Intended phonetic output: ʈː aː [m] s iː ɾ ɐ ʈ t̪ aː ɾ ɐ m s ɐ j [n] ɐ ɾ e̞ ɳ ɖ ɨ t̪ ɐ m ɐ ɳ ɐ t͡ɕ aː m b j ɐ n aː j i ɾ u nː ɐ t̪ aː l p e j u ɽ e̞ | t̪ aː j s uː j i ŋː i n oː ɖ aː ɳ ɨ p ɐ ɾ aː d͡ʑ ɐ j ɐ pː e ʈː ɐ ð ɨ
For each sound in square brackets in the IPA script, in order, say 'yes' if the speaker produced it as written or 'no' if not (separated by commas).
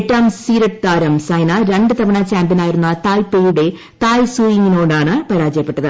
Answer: yes, yes